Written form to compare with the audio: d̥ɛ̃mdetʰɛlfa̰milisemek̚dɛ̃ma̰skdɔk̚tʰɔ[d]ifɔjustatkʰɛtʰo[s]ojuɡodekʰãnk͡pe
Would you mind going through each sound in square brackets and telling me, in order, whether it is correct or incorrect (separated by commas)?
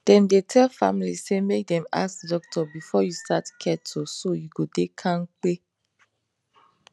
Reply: incorrect, correct